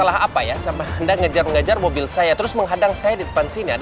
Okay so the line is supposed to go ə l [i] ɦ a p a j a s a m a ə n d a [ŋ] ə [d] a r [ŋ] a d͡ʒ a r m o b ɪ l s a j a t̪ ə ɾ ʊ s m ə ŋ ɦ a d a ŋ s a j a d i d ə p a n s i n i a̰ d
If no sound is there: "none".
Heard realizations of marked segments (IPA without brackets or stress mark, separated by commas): a, ŋ, d͡ʒ, ŋ